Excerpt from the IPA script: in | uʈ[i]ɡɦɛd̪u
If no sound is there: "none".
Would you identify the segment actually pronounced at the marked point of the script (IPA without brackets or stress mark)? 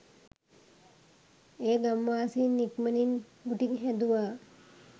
i